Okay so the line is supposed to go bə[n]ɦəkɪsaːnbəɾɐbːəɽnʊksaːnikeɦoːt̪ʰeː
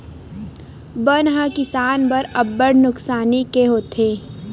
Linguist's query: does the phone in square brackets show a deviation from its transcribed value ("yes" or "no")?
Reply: no